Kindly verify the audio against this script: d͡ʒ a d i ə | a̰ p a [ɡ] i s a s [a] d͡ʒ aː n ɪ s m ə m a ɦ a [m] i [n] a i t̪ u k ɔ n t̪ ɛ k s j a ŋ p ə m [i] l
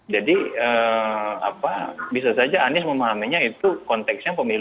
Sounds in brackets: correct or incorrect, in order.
incorrect: b, correct, correct, incorrect: ɲ, correct

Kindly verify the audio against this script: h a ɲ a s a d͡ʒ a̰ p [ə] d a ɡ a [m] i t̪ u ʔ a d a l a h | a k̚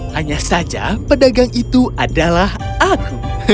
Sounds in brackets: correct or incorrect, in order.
correct, incorrect: ŋ

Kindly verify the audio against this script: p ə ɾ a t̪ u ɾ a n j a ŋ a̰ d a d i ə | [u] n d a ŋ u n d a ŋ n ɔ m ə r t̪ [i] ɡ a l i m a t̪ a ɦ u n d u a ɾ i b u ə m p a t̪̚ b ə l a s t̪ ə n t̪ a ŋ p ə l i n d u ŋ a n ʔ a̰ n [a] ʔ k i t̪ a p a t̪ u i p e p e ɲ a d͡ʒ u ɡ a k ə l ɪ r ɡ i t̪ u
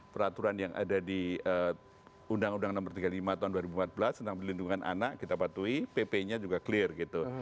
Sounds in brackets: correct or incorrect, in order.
correct, correct, correct

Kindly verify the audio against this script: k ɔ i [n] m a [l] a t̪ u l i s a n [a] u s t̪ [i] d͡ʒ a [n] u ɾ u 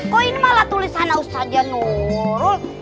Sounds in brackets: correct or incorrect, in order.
correct, correct, correct, incorrect: a, correct

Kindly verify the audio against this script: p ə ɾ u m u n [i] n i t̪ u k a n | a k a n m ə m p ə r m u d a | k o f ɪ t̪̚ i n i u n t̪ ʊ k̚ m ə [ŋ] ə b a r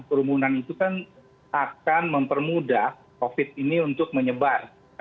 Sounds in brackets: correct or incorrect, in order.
incorrect: a, incorrect: ɲ

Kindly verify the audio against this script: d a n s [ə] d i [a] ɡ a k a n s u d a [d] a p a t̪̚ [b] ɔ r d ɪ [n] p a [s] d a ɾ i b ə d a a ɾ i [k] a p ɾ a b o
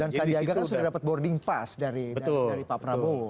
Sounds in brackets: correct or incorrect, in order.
incorrect: a, correct, correct, correct, incorrect: ŋ, correct, incorrect: p

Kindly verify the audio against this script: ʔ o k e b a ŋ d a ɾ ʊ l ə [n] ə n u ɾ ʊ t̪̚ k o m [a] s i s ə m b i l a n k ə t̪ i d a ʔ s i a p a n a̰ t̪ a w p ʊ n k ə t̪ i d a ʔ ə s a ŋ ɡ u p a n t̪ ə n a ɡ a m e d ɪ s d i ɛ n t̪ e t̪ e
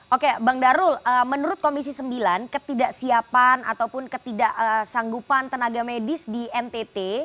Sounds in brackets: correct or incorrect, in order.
incorrect: m, incorrect: i

